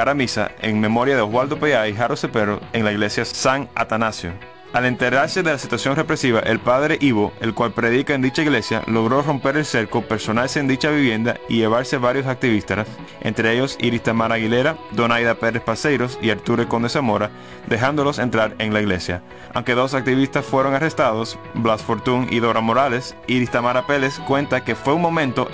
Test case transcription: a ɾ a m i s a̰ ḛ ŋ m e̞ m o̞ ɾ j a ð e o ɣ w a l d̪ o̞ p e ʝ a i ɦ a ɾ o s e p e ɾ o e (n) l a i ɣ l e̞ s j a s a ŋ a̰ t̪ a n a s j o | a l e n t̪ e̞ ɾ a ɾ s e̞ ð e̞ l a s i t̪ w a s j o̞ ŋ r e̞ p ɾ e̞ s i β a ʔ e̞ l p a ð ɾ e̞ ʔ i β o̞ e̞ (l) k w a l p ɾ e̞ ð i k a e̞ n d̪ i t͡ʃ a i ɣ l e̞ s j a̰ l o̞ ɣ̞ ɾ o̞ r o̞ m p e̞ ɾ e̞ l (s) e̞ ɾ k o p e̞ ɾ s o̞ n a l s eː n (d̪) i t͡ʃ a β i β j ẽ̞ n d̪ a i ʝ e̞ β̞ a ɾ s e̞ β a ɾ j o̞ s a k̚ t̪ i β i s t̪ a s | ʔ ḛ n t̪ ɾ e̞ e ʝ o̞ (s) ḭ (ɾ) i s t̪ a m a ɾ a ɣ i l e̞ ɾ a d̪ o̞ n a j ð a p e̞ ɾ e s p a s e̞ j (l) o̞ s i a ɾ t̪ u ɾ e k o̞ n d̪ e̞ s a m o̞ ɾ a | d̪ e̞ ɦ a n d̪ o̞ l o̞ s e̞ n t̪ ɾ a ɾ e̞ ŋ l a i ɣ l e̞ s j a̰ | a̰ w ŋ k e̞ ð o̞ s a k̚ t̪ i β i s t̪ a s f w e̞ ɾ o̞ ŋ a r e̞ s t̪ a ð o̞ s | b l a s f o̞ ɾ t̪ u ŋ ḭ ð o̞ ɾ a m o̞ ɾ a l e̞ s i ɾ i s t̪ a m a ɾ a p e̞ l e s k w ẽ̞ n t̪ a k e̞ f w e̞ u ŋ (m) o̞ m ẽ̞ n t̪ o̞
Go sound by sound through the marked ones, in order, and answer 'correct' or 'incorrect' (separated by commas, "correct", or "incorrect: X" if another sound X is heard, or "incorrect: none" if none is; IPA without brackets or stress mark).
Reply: incorrect: ŋ, correct, correct, correct, correct, correct, incorrect: ɾ, correct